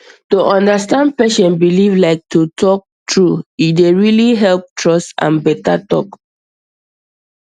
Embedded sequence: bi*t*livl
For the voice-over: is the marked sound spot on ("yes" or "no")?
no